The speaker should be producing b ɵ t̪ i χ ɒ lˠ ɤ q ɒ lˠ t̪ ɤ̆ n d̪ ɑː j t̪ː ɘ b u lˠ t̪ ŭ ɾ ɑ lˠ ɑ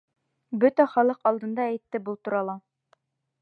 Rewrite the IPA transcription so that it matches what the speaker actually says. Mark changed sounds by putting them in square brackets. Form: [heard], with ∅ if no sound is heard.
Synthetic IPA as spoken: b ɵ t̪ [æ] χ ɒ lˠ ɤ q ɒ lˠ [d̪] ɤ̆ n d̪ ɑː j t̪ː ɘ b u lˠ t̪ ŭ ɾ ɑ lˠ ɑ